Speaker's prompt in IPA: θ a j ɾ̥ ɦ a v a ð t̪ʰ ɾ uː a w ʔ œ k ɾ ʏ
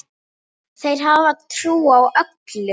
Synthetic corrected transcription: θ e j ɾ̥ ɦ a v a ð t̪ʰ ɾ uː a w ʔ œ k l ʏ